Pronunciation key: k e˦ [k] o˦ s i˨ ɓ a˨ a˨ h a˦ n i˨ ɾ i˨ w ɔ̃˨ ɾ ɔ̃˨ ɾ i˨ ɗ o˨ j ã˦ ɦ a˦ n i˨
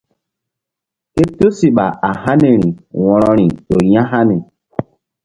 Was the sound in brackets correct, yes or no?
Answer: no